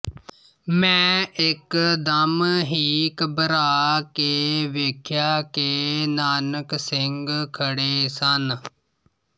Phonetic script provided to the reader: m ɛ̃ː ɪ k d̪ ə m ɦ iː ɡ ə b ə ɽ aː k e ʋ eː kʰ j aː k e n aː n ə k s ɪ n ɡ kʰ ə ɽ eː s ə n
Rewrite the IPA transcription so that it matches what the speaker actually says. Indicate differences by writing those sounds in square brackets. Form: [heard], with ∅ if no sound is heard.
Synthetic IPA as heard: m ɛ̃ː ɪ k d̪ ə m ɦ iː [k] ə b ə [ɾ] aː k e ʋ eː kʰ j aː k e n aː n ə k s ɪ [ŋ] ɡ kʰ ə ɽ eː s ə n